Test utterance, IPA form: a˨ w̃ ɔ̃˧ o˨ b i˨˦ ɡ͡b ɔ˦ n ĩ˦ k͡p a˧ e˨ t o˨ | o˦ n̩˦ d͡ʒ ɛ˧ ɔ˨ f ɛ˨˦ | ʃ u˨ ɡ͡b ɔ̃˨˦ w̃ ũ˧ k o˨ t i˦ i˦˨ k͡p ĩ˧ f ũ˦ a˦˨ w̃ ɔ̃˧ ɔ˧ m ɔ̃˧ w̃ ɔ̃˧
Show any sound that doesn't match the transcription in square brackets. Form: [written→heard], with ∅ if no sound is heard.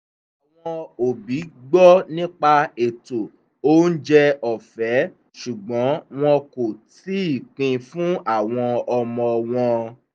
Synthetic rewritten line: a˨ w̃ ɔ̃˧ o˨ b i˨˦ ɡ͡b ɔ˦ n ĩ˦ k͡p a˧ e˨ t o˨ | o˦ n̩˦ d͡ʒ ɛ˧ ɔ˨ f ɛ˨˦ | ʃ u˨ ɡ͡b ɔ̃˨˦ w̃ [ũ˧→ɔ̃˧] k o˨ t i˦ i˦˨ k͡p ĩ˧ f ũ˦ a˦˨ w̃ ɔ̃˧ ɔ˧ m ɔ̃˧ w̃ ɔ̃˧